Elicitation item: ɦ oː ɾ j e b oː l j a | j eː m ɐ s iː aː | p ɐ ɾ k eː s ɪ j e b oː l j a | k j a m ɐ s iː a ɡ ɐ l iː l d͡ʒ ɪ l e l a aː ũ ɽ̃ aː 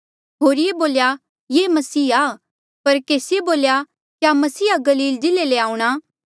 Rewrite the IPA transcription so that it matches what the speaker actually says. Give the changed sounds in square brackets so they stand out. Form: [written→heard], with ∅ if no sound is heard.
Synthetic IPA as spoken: ɦ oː ɾ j e b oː l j a | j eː m ɐ s iː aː | p ɐ ɾ k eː s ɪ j e b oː l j a | k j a m ɐ s iː a ɡ ɐ l iː l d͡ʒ ɪ l e l [a→e] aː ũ ɽ̃ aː